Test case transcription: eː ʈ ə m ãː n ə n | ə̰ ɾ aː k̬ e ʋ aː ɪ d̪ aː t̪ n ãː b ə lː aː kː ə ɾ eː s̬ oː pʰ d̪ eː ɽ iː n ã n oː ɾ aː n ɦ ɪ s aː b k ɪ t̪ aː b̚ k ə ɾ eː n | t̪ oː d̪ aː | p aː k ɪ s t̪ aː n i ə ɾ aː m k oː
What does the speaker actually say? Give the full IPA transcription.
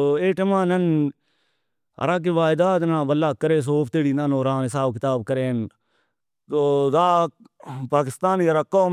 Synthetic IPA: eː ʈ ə m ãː n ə n | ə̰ ɾ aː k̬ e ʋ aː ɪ d̪ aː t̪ n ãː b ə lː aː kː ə ɾ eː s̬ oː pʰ t̪ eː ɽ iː n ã n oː ɾ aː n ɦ ɪ s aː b k ɪ t̪ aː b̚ k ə ɾ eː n | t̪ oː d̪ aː | p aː k ɪ s t̪ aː n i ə ɾ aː k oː